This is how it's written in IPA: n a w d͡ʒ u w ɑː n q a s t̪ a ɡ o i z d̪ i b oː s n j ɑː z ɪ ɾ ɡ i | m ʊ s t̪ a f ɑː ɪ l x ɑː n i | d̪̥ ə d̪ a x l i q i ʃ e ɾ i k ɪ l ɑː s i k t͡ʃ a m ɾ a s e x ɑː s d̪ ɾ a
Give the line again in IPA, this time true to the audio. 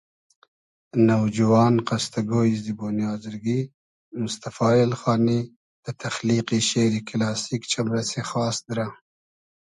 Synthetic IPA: n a w d͡ʒ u w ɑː n q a s t̪ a ɡ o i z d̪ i b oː n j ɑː z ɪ ɾ ɡ i | m ʊ s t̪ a f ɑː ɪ l x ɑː n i | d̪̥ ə t̪ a x l i q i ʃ e ɾ i k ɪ l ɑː s i k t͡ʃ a m ɾ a s e x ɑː s d̪ ɾ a